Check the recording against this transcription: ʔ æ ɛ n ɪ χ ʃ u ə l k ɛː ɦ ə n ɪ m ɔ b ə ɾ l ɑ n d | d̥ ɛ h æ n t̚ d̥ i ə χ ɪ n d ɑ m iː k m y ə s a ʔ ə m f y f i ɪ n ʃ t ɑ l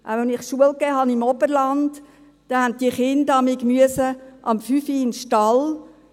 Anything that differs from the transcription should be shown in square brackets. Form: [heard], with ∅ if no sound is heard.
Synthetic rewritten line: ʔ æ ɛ n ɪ χ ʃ u ə l k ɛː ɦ [ɑ] n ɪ m ɔ b ə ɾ l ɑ n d | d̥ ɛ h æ n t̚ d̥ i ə χ ɪ n d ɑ m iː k m y ə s [ə] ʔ [ɑ] m f y f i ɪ n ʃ t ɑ l